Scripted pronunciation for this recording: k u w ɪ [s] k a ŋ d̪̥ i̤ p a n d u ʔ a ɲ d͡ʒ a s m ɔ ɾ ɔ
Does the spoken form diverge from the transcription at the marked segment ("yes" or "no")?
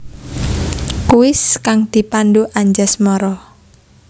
no